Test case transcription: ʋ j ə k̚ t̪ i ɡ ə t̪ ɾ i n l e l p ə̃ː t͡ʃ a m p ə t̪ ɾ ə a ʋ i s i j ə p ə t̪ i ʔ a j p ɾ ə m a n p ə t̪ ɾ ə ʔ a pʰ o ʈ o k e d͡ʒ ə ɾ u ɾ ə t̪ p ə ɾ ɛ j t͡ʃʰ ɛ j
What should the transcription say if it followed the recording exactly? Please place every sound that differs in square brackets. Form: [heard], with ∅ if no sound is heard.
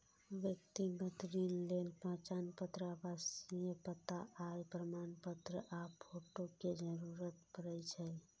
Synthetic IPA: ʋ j ə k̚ t̪ i ɡ ə t̪ ɾ i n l e l p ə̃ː t͡ʃ a [n] p ə t̪ ɾ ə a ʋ [a] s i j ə p ə t̪ [a] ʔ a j p ɾ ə m a n p ə t̪ ɾ ə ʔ a pʰ o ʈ o k e d͡ʒ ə ɾ u ɾ ə t̪ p ə ɾ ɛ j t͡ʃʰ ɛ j